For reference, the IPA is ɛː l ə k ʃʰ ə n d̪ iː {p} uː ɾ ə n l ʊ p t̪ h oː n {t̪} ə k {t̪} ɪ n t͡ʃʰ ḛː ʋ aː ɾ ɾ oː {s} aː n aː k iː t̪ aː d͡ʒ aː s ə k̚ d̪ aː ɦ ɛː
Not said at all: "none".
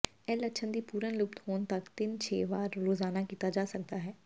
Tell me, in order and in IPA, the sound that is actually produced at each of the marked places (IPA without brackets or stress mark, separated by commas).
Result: p, t̪, t̪, z